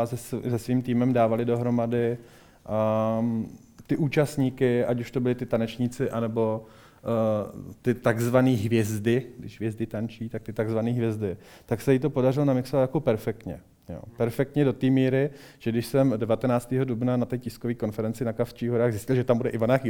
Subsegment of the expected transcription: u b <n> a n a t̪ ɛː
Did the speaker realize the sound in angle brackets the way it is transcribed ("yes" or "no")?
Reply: yes